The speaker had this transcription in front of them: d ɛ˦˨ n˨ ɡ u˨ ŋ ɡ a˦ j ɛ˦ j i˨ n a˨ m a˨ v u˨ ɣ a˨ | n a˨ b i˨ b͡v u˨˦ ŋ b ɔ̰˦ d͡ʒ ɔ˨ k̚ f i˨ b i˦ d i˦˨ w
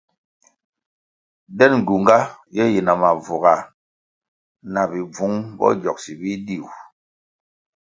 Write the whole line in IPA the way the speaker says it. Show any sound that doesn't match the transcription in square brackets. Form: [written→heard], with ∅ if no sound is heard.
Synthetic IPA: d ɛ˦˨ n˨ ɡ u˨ ŋ ɡ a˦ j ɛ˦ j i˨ n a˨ m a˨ v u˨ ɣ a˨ | n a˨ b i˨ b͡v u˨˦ ŋ b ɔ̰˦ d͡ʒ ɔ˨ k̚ [f→s] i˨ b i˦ d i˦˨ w